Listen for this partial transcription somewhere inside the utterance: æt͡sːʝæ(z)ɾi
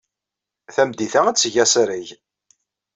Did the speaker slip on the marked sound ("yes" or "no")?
yes